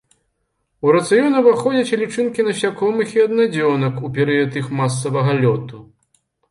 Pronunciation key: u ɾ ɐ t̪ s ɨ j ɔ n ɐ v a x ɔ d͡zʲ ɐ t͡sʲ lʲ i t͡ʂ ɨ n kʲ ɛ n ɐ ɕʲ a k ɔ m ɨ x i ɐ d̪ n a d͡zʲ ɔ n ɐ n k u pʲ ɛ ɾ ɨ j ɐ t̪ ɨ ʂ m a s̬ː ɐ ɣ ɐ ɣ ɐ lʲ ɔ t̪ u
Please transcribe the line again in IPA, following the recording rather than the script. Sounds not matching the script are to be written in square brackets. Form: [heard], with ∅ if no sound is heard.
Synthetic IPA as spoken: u ɾ ɐ t̪ s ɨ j ɔ n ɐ v a x ɔ d͡zʲ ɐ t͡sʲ lʲ i t͡ʂ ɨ n kʲ [i] n ɐ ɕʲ a k ɔ m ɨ x i ɐ d̪ n a d͡zʲ ɔ n ɐ [∅] k u pʲ ɛ ɾ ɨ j ɐ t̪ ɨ [x] m a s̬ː ɐ [v] ɐ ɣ ɐ lʲ ɔ t̪ u